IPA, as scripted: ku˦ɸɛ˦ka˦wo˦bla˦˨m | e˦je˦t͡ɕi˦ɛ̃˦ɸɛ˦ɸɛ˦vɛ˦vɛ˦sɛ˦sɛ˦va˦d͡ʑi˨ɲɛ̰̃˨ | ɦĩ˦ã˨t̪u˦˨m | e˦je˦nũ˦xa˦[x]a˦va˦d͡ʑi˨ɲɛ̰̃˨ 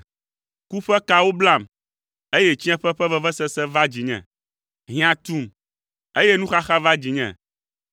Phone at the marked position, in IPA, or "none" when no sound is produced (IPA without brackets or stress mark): x